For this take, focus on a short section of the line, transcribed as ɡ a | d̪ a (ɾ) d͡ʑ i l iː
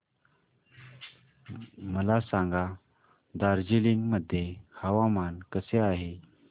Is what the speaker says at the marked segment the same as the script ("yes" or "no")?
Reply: yes